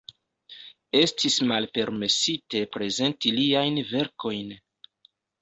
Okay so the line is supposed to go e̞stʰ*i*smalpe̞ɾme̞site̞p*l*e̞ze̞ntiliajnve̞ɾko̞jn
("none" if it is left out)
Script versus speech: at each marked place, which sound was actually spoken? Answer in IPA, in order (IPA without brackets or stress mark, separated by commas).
i, ɾ